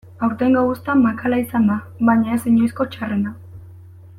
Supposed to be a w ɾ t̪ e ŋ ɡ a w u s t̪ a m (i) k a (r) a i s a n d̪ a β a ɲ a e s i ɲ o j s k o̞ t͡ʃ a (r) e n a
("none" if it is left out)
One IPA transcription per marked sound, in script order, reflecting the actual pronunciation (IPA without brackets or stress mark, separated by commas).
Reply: a, l, r